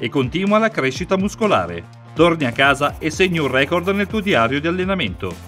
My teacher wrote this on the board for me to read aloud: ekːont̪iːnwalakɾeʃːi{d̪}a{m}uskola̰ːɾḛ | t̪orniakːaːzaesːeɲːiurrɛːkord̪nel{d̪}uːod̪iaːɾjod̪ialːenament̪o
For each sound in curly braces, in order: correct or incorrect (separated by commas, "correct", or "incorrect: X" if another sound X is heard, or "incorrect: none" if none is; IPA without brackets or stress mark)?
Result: incorrect: t̪, correct, incorrect: t̪